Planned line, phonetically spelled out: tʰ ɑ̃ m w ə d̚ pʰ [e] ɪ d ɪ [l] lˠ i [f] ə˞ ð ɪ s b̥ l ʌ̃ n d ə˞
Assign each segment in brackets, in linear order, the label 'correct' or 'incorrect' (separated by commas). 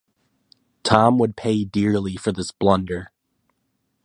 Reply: correct, incorrect, correct